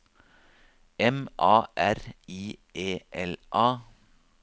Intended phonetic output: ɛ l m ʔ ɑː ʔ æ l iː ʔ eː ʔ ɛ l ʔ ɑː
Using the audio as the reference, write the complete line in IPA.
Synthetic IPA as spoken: ɛ m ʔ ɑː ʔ æ ɾ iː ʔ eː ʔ ɛ l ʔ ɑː